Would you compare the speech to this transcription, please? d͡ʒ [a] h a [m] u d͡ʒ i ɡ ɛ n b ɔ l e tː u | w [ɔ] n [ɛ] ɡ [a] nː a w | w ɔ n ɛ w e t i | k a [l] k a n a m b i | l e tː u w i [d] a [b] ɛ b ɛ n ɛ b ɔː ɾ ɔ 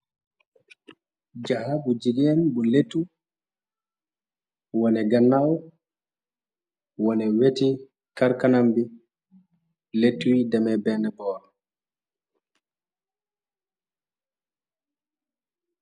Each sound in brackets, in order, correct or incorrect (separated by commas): correct, incorrect, correct, correct, correct, incorrect, correct, incorrect